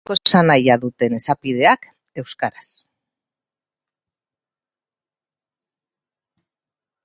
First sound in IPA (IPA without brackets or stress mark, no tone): o